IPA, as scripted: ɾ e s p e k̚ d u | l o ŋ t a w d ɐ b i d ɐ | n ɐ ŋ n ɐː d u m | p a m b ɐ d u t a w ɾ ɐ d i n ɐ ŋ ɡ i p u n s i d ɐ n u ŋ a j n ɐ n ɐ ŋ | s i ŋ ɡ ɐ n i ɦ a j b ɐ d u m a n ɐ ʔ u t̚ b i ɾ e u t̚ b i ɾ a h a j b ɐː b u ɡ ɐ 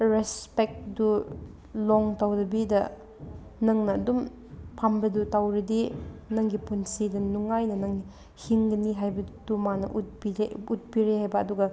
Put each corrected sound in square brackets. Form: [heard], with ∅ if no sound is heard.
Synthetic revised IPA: ɾ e s p e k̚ d u | l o ŋ t a w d ɐ b i d ɐ | n ɐ ŋ n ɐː d u m | [pʰ] a m b ɐ d u t a w ɾ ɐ d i n ɐ ŋ ɡ i p u n s i d ɐ n u ŋ a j n ɐ n ɐ ŋ | [h] i ŋ ɡ ɐ n i ɦ a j b ɐ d u m a n ɐ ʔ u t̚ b i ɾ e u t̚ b i ɾ [e] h a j b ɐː [d] u ɡ ɐ

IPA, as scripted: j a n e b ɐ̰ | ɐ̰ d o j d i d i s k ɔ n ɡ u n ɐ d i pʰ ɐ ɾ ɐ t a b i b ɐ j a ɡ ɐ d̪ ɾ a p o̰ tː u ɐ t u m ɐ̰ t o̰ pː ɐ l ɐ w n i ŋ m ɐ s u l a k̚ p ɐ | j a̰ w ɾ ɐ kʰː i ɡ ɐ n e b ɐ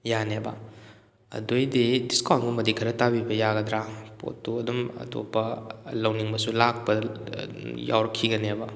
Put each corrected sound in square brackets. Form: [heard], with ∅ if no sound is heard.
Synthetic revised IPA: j a n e b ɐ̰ | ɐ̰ d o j d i d i s k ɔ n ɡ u [m] ɐ d i [kʰ] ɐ ɾ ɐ t a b i b ɐ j a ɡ ɐ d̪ ɾ a p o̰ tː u ɐ [d] u m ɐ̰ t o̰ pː ɐ l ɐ w n i ŋ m ɐ s u l a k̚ p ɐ | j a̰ w ɾ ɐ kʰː i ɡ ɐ n e b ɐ

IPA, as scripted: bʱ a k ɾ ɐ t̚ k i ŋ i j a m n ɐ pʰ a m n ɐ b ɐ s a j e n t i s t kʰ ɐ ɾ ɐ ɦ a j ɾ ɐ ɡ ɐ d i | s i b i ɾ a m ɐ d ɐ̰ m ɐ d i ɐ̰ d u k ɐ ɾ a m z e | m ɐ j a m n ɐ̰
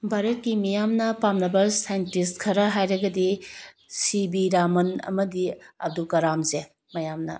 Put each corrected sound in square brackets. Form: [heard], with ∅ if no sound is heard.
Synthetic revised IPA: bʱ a [∅] ɾ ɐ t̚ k i [m] i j a m n ɐ [p] a m n ɐ b ɐ s a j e n t i s t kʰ ɐ ɾ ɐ ɦ a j ɾ ɐ ɡ ɐ d i | s i b i ɾ a m ɐ [n] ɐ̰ m ɐ d i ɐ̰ d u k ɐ ɾ a m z e | m ɐ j a m n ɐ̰

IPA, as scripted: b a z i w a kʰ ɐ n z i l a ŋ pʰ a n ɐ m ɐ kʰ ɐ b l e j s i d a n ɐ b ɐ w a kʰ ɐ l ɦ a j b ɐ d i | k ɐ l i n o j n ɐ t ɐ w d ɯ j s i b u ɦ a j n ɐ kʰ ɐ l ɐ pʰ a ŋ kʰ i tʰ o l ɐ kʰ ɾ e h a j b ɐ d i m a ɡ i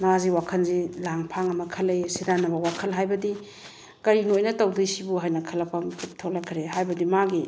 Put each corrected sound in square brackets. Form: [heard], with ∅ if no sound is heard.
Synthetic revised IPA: [m] a z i w a kʰ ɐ n z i l a ŋ pʰ a [ŋ] ɐ m ɐ kʰ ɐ [∅] l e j s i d a n ɐ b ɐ w a kʰ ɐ l ɦ a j b ɐ d i | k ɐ [ɾ] i n o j n ɐ t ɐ w d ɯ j s i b u ɦ a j n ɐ kʰ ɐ l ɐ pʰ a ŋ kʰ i tʰ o l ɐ kʰ ɾ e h a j b ɐ d i m a ɡ i

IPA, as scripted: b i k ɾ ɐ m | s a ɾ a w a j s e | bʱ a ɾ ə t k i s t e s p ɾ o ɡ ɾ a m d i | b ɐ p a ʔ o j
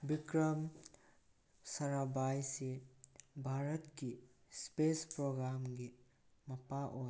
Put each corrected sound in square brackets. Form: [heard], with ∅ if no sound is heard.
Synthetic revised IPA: b i k ɾ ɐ m | s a ɾ a [b] a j s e | bʱ a ɾ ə t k i s [p] e s p ɾ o ɡ ɾ a m [ɡ] i | [m] ɐ p a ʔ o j

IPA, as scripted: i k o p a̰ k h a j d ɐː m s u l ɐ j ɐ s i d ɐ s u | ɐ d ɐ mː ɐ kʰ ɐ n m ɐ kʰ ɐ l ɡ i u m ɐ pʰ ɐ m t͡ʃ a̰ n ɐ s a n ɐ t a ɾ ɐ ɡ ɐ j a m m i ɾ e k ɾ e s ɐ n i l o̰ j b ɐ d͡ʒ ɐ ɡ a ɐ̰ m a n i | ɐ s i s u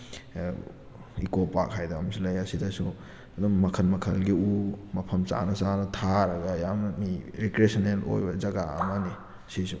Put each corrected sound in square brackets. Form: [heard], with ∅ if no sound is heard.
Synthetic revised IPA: i k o p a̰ k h a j d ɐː m s u l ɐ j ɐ s i d ɐ s u | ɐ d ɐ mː ɐ kʰ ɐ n m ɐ kʰ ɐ l ɡ i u m ɐ pʰ ɐ m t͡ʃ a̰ n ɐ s a n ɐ [tʰ] a ɾ ɐ ɡ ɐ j a m m i ɾ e k ɾ e s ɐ n [e] l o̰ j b ɐ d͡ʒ ɐ ɡ a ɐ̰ m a n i | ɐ s i s u

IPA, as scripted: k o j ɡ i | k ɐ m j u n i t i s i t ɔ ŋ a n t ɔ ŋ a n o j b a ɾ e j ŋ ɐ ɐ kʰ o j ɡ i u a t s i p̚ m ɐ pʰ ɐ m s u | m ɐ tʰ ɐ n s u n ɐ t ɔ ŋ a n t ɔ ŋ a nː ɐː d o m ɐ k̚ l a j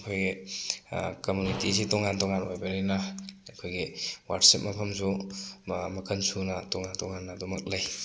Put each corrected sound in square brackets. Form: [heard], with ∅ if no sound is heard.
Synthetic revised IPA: [kʰ] o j ɡ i | k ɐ m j u n i t i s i t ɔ ŋ a n t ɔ ŋ a n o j b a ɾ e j [n] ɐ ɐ kʰ o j ɡ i [w] a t s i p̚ m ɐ pʰ ɐ m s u | m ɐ [kʰ] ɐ n s u n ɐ t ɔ ŋ a n t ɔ ŋ a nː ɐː d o m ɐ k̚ l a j

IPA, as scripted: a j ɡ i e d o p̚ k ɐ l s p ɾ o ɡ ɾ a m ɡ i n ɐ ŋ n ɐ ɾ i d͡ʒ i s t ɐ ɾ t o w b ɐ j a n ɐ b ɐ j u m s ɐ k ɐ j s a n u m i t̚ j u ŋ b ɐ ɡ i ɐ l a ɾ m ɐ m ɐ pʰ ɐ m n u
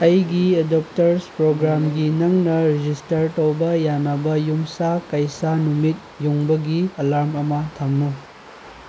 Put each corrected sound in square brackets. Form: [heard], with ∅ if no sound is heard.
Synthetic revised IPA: [ɐ] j ɡ i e d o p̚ [t] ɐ [ɾ] s p ɾ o ɡ ɾ a m ɡ i n ɐ ŋ n ɐ ɾ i d͡ʒ i s t ɐ ɾ t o w b ɐ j a n ɐ b ɐ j u m s [a] k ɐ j s a n u m i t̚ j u ŋ b ɐ ɡ i ɐ l a ɾ m ɐ m ɐ [tʰ] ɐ m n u

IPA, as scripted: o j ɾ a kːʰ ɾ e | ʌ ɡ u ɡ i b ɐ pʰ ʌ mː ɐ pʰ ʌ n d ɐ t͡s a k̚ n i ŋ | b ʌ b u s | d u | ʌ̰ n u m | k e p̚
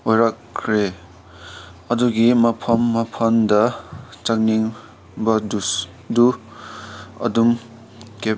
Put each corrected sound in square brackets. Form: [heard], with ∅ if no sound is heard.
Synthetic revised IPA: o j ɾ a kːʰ ɾ e | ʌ [d] u ɡ i [m] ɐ pʰ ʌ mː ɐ pʰ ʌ n d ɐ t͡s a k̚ n i ŋ | b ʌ [d] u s | d u | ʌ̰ [d] u m | k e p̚

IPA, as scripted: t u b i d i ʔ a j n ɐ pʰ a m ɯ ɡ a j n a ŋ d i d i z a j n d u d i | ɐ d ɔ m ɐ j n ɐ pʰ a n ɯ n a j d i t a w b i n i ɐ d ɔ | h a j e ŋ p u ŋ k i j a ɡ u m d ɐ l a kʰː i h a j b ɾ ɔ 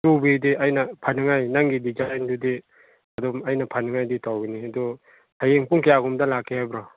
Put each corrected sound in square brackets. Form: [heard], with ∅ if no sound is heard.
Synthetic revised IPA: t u b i d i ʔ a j n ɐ pʰ a [n] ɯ [ŋ] a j n a ŋ [ɡ] i d i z a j n d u d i | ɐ d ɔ m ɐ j n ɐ pʰ a n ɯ [ŋ] a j d i t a w [ɡ] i n i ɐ d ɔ | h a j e ŋ p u ŋ k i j a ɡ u m d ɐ l a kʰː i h a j b ɾ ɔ

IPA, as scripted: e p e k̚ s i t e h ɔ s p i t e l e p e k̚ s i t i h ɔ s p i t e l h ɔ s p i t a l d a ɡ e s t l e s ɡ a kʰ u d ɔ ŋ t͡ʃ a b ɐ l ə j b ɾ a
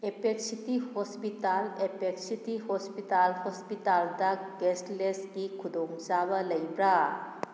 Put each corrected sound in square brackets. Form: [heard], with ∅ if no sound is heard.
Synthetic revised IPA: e p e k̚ s i t [i] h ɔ s p i t [a] l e p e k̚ s i t i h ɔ s p i t [a] l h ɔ s p i t a l d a ɡ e s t l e s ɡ [i] kʰ u d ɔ ŋ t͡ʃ a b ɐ l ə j b ɾ a

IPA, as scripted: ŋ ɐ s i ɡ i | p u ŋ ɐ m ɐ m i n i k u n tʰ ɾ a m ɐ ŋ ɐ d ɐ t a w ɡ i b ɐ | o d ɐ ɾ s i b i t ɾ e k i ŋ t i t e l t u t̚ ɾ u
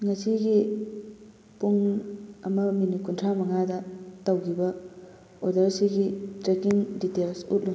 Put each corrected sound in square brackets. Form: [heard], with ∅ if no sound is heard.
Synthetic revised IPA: ŋ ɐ s i ɡ i | p u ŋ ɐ m ɐ m i n i k u n tʰ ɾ a m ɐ ŋ [a] d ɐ t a w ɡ i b ɐ | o d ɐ ɾ s i [ɡ] i t ɾ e k i ŋ [d] i t e l [s] u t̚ [l] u

